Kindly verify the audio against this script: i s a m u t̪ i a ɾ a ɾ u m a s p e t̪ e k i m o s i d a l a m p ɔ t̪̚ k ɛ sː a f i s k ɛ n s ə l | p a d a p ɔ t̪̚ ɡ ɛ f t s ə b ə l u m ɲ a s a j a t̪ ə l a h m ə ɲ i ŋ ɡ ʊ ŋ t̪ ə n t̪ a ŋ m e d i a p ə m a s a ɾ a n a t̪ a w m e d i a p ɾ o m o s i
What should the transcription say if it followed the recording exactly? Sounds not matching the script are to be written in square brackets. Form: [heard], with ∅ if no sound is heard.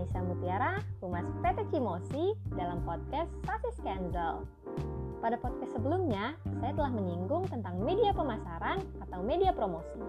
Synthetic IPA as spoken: i s a m u t̪ i a ɾ a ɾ u m a s p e t̪ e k i m o s i d a l a m p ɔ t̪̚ k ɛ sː a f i s k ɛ n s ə l | p a d a p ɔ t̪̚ [k] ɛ [s] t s ə b ə l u m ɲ a s a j a t̪ ə l a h m ə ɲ i ŋ ɡ ʊ ŋ t̪ ə n t̪ a ŋ m e d i a p ə m a s a ɾ a n a t̪ a w m e d i a p ɾ o m o s i